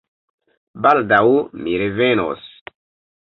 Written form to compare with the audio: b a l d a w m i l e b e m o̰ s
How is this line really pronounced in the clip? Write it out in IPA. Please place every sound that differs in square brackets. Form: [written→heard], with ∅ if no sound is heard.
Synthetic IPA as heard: b a l d a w m i [l→ɾ] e [b→v] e [m→n] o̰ s